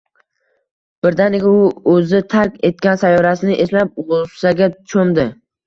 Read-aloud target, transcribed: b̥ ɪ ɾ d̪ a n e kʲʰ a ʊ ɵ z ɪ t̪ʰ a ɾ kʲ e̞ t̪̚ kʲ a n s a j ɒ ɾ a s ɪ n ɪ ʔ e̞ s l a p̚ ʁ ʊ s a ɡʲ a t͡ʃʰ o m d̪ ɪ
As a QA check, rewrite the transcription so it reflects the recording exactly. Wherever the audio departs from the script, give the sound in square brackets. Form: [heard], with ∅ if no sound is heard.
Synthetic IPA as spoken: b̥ ɪ ɾ d̪ a n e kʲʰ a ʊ ɵ z ɪ t̪ʰ a ɾ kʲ e̞ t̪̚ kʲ a n s a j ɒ ɾ a s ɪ n ɪ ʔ e̞ s l a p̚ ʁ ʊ s a ɡʲ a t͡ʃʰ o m d̪ ɪ

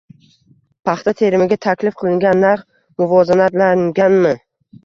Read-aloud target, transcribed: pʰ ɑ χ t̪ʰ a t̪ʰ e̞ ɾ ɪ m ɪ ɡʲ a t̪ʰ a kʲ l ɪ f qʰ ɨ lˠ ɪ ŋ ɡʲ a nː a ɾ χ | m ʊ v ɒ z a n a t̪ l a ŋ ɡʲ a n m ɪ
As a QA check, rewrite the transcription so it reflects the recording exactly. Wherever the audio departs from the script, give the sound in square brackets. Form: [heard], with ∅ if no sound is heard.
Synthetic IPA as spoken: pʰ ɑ χ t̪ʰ a t̪ʰ e̞ ɾ ɪ m ɪ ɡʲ a t̪ʰ a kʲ l ɪ f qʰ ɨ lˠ ɪ ŋ ɡʲ a nː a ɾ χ | m ʊ v ɒ z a n a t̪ l a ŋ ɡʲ a n m ɪ

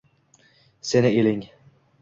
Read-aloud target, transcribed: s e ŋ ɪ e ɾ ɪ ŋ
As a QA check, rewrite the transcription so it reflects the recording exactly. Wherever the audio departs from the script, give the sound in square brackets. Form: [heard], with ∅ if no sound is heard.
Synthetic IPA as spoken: s e [n] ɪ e [l] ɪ ŋ

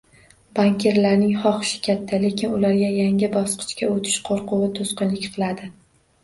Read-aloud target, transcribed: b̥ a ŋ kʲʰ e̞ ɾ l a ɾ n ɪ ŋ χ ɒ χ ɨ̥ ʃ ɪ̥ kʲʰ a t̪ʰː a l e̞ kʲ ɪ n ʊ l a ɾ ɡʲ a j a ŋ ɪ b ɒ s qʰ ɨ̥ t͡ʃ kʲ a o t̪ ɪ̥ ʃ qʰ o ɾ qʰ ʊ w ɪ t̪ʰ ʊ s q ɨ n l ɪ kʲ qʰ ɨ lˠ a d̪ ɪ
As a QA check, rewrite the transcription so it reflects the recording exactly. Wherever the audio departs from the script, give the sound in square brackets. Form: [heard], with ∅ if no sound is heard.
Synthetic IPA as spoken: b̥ a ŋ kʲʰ e̞ ɾ l a ɾ n ɪ ŋ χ ɒ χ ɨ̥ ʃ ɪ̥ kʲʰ a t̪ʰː a l e̞ kʲ ɪ n ʊ l a ɾ ɡʲ a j a ŋ ɪ b ɒ s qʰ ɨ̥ t͡ʃ kʲ a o [t̪ʰ] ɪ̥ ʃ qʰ o ɾ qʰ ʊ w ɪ t̪ʰ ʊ s q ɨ n l ɪ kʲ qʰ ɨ lˠ a d̪ ɪ

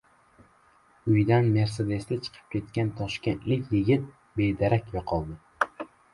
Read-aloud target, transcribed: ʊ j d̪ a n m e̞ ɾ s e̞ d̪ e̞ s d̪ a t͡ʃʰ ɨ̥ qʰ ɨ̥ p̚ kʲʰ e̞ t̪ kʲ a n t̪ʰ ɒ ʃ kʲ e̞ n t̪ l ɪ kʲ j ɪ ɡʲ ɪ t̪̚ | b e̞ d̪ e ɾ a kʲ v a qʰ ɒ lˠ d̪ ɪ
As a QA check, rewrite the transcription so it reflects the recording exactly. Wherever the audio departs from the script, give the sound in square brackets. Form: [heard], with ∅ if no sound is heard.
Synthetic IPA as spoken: ʊ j d̪ a n m e̞ ɾ s e̞ d̪ e̞ s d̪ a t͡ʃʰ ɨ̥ qʰ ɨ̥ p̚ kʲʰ e̞ t̪ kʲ a n t̪ʰ ɒ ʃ kʲ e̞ n t̪ l ɪ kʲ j ɪ ɡʲ ɪ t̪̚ | b e̞ d̪ [a] ɾ a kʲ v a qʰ ɒ lˠ d̪ ɪ

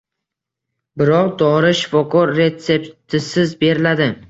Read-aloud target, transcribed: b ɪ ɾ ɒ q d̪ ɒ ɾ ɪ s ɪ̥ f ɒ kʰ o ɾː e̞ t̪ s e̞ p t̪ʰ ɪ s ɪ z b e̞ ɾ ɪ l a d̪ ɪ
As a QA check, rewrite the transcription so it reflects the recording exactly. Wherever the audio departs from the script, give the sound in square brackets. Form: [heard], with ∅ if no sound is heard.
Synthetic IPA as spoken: b ɪ ɾ ɒ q d̪ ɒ ɾ ɪ [ʃ] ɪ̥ f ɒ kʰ [ɒ] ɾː e̞ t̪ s e̞ p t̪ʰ ɪ s ɪ z b e̞ ɾ ɪ l a d̪ ɪ

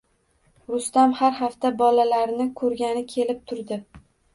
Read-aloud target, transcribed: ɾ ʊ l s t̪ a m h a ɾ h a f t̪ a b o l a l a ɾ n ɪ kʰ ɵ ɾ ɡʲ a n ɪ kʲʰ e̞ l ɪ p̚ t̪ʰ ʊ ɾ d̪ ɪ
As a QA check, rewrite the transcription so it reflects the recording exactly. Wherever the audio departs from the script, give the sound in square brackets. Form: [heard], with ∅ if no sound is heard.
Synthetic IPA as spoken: ɾ ʊ [∅] s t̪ a m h a ɾ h a f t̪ a b [ɒ] l a l a ɾ n ɪ kʰ ɵ ɾ ɡʲ a n ɪ kʲʰ e̞ l ɪ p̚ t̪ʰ ʊ ɾ d̪ ɪ

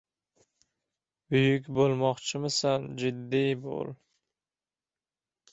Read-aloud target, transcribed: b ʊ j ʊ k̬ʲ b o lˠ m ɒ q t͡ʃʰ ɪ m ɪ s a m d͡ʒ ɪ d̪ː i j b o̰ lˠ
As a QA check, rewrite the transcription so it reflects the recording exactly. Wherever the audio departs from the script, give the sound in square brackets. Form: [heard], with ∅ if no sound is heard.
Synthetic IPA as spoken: b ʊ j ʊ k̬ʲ b o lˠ m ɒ q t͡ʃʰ ɪ m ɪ s a [n] d͡ʒ ɪ d̪ː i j b o̰ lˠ

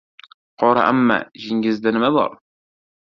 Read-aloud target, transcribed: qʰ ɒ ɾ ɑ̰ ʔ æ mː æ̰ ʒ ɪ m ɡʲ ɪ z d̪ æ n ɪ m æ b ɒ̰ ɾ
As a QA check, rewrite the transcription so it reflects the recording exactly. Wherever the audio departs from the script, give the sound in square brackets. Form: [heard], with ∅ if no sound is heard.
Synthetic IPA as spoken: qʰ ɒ ɾ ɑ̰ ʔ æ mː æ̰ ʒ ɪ [ŋ] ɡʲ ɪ z d̪ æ n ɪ m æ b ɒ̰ ɾ

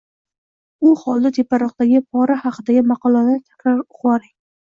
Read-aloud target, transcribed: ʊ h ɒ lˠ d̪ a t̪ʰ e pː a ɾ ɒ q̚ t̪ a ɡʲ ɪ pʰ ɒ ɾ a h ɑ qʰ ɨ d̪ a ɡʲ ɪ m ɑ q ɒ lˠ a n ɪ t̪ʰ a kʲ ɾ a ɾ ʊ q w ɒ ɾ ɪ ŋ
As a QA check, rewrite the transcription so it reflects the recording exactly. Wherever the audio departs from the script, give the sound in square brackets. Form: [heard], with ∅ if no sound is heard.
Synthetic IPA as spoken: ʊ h ɒ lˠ d̪ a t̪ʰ e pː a ɾ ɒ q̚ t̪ a ɡʲ ɪ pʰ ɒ ɾ a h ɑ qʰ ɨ d̪ a ɡʲ ɪ m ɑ q ɒ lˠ a n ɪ t̪ʰ a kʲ ɾ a ɾ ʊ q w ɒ ɾ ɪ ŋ

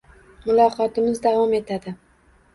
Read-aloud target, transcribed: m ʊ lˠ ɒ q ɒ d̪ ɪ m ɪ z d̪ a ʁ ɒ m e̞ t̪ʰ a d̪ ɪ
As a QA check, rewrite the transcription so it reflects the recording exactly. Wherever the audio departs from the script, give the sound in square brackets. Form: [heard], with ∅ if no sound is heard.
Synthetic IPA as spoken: m ʊ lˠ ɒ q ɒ [t̪] ɪ m ɪ z d̪ a [v] ɒ m e̞ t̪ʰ a d̪ ɪ

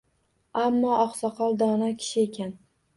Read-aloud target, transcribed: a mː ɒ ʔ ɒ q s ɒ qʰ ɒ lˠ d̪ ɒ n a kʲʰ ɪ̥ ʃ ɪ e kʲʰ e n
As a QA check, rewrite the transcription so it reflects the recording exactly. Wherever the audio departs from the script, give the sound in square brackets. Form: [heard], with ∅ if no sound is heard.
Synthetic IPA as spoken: a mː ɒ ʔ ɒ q s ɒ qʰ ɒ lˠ d̪ ɒ n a kʲʰ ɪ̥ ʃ ɪ e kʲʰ [a] n

